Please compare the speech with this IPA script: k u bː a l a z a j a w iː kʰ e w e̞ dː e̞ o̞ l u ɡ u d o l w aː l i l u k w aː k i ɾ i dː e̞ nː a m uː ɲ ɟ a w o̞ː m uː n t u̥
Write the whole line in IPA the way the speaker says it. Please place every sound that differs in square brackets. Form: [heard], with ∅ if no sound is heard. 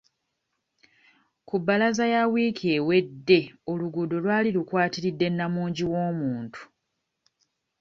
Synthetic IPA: k u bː a l a z a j a w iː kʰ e w e̞ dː e̞ o̞ l u ɡ u d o l w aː l i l u k w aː [t] i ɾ i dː e̞ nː a m uː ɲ ɟ [i] w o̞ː m uː n t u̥